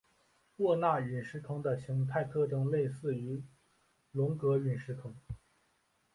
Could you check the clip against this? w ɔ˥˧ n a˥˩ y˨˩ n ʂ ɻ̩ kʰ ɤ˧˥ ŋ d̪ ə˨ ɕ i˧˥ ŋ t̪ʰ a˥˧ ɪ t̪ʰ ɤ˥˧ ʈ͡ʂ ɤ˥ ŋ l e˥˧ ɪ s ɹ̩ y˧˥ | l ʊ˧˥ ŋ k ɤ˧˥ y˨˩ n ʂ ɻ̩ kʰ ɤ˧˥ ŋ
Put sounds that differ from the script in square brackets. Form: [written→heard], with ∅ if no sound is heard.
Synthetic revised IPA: w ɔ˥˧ n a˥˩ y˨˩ n ʂ ɻ̩ kʰ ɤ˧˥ ŋ d̪ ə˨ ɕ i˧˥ ŋ t̪ʰ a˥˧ ɪ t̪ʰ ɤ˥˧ ʈ͡ʂ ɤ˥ ŋ l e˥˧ ɪ s ɹ̩ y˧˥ | l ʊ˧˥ ŋ k ɤ˧˥ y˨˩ n ʂ ɻ̩ kʰ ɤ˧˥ ŋ